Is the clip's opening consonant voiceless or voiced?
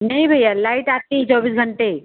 voiced